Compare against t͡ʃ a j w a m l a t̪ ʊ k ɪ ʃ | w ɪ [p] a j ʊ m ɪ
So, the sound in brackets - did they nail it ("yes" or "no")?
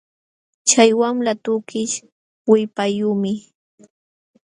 yes